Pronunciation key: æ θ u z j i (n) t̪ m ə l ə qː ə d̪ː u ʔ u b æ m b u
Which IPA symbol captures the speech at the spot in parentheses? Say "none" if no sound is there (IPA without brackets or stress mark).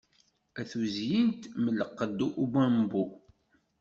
n